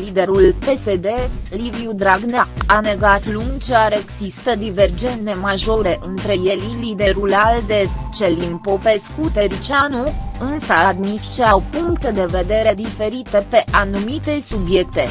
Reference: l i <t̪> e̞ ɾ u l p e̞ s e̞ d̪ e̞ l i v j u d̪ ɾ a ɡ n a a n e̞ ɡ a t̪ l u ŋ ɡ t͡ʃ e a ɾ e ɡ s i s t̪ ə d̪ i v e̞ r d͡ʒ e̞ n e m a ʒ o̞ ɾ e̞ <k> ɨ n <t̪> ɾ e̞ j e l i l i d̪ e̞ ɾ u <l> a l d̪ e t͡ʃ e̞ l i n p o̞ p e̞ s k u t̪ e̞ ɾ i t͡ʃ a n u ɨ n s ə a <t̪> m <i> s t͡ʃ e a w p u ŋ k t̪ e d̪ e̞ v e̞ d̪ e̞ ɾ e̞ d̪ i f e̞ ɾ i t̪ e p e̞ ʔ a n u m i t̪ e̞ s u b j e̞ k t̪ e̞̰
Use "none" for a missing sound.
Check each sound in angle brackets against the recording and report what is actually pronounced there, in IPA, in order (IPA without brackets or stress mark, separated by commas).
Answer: d̪, ʔ, t̪, l, d̪, i